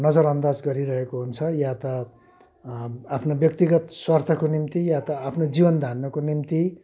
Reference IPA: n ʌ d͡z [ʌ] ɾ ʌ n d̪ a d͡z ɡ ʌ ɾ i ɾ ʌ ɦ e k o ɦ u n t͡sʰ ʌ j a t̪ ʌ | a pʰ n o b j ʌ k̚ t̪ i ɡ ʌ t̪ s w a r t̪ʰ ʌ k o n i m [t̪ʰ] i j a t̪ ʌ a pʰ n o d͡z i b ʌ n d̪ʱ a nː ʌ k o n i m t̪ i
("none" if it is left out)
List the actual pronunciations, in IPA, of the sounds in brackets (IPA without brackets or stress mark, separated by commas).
ʌ, t̪